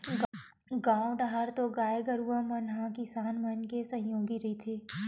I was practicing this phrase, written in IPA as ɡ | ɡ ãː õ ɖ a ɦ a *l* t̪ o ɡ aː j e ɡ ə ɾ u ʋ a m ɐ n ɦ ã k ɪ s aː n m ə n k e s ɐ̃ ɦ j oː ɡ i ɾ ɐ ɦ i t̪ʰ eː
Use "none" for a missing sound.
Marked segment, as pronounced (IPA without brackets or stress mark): ɾ